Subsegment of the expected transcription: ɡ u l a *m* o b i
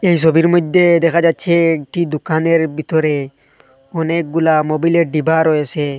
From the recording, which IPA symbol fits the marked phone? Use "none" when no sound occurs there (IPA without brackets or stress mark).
m